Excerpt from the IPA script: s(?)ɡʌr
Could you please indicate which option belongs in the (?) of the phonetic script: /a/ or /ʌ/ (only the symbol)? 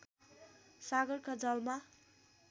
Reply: a